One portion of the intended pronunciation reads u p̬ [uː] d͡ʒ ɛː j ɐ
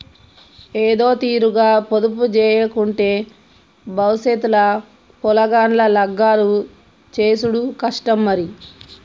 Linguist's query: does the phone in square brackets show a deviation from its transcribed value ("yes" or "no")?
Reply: yes